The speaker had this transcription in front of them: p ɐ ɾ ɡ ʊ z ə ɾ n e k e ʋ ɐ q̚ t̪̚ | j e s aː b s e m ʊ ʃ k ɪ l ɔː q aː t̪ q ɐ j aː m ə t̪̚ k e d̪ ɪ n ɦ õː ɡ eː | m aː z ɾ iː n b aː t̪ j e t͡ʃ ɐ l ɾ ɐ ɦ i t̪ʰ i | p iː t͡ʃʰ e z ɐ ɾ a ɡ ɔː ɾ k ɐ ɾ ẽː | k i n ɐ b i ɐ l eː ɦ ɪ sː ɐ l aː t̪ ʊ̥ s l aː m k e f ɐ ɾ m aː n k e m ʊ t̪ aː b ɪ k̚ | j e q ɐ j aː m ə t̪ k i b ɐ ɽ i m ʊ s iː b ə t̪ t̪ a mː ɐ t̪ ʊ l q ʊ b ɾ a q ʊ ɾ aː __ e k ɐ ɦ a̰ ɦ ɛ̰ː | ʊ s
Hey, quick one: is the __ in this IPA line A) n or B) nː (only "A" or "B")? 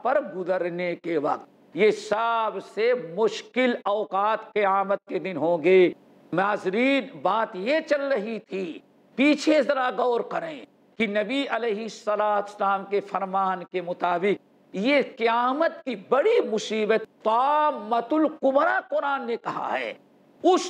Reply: B